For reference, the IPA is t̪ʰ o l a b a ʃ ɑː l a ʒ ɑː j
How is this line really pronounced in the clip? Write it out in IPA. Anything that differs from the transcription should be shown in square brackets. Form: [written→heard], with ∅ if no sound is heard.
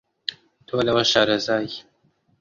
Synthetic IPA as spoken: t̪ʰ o l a [b→w] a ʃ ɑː [l→ɾ] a [ʒ→z] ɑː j